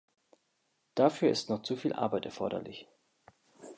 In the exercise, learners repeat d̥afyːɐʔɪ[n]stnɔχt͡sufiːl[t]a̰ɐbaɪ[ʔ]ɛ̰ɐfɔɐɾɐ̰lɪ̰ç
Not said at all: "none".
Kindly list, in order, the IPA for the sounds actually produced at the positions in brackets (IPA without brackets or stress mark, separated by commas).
none, ʔ, t